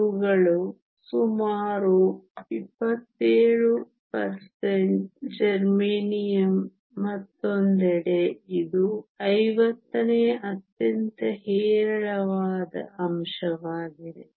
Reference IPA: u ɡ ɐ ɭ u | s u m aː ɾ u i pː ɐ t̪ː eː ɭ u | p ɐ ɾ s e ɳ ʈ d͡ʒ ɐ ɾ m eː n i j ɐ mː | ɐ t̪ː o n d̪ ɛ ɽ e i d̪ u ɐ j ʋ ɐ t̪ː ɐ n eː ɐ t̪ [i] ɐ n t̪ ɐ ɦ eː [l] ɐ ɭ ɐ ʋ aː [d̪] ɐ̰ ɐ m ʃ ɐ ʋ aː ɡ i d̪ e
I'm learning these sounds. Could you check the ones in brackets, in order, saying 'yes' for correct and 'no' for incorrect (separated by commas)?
no, no, yes